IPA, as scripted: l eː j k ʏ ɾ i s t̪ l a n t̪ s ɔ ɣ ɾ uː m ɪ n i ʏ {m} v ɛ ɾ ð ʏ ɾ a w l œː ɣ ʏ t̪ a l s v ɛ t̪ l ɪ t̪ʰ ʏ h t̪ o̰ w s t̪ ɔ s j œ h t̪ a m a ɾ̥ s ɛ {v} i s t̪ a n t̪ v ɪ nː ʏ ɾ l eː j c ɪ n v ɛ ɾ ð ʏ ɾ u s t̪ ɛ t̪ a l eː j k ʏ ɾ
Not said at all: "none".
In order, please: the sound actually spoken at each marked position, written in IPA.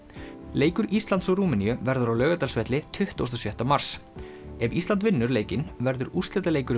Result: none, v

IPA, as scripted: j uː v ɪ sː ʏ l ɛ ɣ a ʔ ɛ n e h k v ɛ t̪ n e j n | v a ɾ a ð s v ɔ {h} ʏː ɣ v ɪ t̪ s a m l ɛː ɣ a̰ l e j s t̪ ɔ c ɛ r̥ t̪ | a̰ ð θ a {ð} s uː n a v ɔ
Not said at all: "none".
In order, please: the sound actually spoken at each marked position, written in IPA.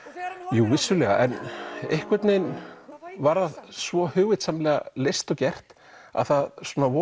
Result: h, ð

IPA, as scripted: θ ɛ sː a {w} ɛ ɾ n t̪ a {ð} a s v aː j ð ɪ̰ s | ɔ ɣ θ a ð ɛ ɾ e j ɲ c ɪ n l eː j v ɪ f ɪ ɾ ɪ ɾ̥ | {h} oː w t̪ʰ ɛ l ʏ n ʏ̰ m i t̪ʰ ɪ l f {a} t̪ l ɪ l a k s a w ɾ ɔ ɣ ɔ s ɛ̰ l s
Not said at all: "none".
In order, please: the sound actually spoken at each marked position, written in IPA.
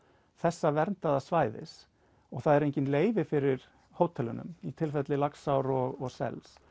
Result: v, ð, h, ɛ

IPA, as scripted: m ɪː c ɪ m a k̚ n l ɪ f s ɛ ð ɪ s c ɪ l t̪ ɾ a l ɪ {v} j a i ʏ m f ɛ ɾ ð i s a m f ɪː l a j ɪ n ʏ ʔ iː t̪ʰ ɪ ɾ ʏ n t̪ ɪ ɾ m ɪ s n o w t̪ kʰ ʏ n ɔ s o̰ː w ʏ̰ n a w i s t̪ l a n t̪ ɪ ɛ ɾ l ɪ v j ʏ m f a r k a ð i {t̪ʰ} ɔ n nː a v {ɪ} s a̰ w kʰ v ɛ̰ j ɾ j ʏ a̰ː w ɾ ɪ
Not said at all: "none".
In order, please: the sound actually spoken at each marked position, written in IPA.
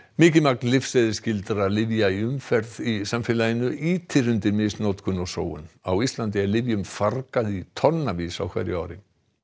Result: v, t̪ʰ, i

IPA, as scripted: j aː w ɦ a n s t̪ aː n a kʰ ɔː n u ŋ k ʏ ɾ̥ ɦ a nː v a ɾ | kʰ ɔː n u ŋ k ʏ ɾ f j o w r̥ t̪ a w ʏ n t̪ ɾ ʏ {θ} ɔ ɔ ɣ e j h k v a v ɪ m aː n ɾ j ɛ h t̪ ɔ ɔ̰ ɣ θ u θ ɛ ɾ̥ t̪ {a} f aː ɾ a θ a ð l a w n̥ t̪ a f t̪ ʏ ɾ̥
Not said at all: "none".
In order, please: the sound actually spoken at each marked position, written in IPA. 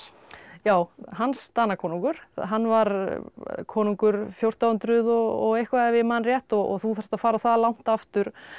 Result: ð, a

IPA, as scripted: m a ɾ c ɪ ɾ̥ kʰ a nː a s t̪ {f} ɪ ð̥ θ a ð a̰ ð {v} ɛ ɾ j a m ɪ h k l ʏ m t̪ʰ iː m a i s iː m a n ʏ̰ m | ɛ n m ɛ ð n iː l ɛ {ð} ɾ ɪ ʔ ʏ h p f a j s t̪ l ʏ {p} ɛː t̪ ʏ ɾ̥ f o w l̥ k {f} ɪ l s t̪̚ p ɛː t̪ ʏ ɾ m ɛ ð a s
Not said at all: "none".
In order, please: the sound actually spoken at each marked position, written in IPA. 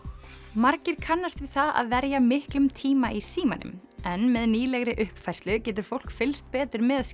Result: v, v, ɣ, c, f

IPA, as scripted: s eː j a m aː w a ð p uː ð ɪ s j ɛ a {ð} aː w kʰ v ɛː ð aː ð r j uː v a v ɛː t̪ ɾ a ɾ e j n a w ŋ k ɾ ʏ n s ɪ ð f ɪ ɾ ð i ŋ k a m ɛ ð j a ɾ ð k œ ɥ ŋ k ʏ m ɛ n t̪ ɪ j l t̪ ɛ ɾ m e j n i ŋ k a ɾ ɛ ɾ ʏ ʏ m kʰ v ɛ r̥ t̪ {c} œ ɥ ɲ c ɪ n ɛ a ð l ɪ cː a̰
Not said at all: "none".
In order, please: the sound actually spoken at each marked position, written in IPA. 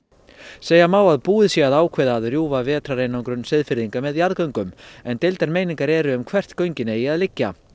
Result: ð, k

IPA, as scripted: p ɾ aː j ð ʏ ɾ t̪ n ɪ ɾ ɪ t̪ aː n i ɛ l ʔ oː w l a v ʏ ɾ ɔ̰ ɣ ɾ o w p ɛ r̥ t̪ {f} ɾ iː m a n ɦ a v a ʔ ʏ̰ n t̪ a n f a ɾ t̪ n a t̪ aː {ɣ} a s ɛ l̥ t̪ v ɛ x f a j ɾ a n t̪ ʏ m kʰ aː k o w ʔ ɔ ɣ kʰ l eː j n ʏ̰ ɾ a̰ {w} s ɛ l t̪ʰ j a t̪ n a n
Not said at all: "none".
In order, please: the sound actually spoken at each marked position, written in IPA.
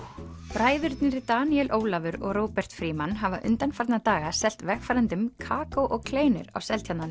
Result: f, ɣ, w

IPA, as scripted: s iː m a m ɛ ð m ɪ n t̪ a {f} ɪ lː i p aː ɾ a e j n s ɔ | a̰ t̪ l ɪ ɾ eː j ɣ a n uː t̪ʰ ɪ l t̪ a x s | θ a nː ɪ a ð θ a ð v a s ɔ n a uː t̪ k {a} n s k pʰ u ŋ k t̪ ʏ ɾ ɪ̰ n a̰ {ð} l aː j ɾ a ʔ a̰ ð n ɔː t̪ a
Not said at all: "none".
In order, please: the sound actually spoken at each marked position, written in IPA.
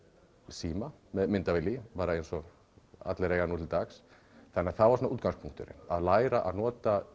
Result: v, a, ð

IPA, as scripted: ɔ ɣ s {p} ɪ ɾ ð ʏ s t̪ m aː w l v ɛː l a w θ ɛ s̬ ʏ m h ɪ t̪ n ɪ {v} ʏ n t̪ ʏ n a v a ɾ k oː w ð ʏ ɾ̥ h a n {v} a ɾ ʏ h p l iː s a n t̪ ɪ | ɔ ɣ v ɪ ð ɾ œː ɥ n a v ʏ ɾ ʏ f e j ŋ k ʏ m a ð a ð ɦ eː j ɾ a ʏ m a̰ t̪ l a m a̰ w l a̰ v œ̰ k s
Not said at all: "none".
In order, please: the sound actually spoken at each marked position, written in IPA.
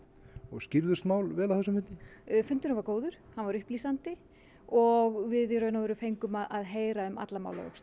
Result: c, f, v

